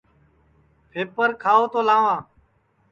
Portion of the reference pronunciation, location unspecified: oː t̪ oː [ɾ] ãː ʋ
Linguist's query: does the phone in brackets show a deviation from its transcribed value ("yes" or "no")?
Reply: yes